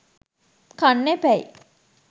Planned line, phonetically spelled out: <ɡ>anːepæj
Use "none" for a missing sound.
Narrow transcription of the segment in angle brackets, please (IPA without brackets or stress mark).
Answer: k